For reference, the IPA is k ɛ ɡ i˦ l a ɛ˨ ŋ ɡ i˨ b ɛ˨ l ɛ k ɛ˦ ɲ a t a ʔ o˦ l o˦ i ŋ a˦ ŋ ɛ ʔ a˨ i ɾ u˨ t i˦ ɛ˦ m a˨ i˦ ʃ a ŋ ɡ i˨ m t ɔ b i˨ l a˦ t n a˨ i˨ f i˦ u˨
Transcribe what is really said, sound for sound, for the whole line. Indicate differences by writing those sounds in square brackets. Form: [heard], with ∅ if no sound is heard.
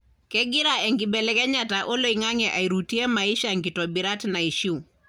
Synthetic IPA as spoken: k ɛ ɡ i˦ [ɾ] a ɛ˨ ŋ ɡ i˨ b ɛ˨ l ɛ k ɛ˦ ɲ a t a ʔ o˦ l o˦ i ŋ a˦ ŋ ɛ ʔ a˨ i ɾ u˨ t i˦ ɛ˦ m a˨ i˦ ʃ a ŋ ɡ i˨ [∅] t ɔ b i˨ [ɾ] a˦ t n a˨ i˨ [ʃ] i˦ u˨